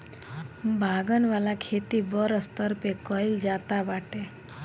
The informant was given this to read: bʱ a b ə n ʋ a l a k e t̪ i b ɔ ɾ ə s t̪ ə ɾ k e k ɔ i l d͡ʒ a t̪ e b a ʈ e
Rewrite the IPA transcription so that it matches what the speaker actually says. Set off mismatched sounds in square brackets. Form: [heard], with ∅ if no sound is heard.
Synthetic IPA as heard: bʱ a [ɡ] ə n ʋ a l a [kʰ] e t̪ i b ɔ ɾ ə s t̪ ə ɾ [p] e k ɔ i l d͡ʒ a t̪ [a] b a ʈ e